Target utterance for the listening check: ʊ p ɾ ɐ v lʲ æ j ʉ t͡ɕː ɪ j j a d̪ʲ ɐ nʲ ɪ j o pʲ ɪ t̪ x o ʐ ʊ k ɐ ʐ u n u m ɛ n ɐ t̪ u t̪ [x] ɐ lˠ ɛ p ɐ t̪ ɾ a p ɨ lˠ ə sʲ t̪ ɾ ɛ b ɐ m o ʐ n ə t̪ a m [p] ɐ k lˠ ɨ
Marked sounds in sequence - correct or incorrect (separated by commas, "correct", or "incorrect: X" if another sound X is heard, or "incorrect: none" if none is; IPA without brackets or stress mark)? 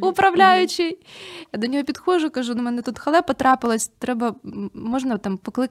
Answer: correct, correct